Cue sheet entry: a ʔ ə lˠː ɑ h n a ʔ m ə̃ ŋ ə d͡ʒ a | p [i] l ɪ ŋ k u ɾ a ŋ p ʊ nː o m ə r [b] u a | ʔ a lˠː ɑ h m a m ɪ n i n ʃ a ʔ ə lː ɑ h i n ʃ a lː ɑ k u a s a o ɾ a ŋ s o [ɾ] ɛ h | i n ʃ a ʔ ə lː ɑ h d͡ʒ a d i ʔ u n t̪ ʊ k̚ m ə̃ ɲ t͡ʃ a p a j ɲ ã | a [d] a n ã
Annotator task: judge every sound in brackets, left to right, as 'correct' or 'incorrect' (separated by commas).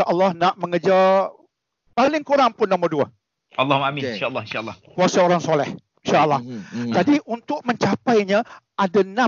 incorrect, incorrect, incorrect, correct